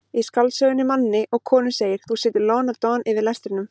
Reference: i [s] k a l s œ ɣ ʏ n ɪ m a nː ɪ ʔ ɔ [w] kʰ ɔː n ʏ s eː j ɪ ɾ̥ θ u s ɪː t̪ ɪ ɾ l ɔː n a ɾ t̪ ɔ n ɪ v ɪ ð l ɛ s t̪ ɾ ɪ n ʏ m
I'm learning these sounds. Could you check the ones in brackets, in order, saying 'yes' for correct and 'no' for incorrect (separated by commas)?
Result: yes, no